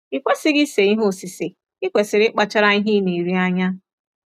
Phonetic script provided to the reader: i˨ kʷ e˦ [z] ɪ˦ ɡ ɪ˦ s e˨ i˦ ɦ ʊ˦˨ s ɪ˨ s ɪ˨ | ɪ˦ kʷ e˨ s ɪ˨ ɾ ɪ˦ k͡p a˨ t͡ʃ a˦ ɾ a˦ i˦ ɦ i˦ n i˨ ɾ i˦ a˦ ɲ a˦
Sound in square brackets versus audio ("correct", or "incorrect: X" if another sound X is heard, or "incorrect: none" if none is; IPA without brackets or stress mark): incorrect: s